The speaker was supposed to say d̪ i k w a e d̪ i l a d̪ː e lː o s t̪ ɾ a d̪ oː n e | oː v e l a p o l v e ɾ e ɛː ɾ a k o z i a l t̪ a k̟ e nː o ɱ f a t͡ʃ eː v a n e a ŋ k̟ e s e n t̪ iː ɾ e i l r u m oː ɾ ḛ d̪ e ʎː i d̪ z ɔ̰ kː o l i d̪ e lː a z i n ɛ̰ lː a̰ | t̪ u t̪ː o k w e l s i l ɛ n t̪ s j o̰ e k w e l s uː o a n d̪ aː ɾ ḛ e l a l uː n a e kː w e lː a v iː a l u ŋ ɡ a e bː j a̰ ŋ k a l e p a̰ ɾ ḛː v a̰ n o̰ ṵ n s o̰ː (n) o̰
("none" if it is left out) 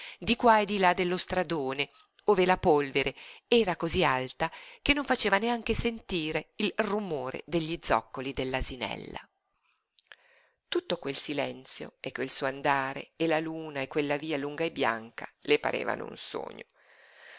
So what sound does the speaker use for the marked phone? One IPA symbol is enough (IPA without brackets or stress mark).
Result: ɲ